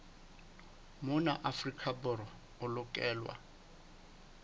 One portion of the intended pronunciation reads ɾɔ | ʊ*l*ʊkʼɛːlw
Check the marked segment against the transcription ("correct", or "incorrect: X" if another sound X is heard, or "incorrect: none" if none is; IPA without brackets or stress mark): correct